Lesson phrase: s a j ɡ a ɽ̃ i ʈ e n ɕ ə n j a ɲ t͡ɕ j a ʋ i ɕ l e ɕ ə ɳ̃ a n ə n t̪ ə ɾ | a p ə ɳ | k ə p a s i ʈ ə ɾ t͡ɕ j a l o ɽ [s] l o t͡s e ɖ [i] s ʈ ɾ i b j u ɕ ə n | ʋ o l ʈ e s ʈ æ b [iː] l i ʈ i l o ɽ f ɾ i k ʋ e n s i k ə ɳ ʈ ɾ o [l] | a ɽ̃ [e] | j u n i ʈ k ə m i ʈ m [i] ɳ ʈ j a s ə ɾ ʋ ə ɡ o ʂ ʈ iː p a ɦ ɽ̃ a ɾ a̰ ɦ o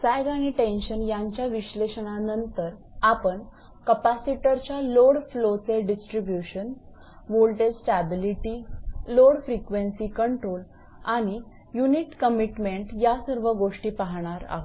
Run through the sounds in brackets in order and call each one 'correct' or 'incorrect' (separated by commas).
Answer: incorrect, correct, incorrect, correct, incorrect, incorrect